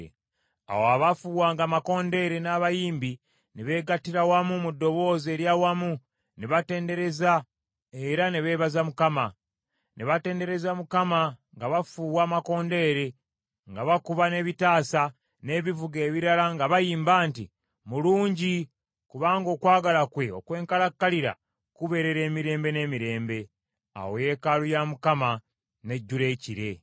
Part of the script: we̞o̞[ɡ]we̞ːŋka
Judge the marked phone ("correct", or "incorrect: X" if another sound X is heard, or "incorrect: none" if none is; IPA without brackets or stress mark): incorrect: k